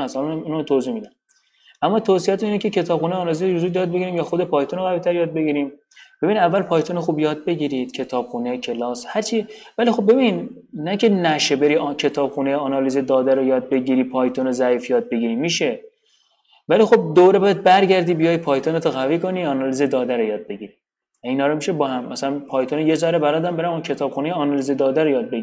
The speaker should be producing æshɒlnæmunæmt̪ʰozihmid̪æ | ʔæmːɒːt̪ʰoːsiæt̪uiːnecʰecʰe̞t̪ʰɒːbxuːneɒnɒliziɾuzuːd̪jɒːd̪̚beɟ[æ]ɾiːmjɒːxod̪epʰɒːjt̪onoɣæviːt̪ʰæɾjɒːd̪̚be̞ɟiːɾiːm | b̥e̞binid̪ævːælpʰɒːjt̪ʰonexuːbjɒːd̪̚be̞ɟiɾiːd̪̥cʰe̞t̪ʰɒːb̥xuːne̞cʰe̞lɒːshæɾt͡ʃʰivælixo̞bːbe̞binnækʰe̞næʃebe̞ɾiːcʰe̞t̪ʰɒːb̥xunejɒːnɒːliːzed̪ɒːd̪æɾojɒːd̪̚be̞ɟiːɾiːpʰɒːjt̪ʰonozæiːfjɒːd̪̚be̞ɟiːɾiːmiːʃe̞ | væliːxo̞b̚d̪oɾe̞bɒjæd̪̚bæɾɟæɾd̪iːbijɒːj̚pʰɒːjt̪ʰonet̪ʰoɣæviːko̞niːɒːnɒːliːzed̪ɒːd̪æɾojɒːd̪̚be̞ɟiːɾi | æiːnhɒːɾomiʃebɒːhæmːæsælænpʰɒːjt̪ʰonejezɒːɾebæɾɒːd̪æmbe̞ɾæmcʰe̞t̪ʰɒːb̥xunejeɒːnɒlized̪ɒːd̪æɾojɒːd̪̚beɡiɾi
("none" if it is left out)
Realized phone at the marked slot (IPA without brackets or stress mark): i